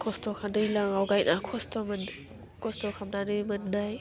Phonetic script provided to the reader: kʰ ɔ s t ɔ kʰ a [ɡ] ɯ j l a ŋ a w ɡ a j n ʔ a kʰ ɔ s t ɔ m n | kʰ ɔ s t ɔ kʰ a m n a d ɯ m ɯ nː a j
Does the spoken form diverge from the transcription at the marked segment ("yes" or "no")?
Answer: yes